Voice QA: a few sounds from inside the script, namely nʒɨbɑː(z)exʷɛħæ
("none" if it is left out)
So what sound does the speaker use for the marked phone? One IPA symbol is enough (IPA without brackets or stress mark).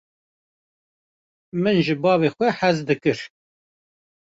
v